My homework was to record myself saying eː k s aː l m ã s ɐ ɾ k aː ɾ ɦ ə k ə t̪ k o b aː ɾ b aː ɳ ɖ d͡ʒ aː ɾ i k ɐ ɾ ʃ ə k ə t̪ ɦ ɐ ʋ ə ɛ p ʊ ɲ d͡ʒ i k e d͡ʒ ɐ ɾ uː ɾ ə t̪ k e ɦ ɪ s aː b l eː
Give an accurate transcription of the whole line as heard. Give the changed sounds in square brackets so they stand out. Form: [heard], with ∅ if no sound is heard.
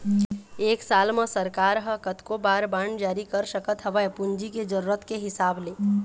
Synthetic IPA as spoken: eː k s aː l m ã s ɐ ɾ k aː ɾ ɦ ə k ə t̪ k o b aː ɾ b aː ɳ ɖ d͡ʒ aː ɾ i k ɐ ɾ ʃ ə k ə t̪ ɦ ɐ ʋ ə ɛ p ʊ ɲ d͡ʒ i k e d͡ʒ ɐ ɾ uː ɾ ə t̪ k e ɦ ɪ s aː b l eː